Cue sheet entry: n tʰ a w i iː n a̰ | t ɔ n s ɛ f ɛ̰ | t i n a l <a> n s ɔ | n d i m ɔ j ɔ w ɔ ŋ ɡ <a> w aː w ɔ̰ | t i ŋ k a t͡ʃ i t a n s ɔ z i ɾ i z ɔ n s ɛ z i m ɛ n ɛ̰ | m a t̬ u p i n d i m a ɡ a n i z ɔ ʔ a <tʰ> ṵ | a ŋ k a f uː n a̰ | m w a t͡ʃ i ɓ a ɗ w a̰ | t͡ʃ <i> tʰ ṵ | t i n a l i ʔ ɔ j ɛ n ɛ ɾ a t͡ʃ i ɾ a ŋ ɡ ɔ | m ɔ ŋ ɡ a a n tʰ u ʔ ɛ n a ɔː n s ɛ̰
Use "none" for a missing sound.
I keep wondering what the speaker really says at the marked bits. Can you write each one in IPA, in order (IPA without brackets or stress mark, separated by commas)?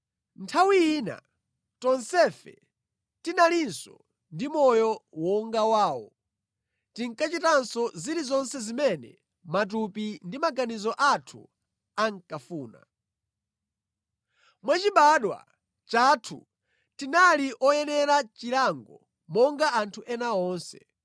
i, a, tʰ, a